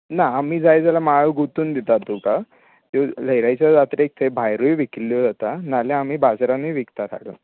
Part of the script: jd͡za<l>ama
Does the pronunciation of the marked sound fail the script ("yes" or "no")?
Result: no